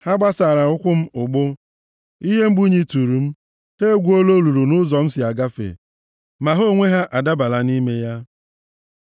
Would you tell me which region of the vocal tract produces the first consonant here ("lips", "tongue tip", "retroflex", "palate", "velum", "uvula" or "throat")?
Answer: throat